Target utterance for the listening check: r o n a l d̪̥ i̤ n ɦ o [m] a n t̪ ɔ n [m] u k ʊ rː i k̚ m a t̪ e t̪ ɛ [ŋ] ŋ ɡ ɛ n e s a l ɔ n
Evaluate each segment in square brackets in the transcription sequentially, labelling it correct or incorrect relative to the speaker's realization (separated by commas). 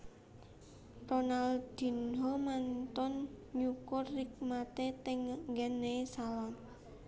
correct, incorrect, correct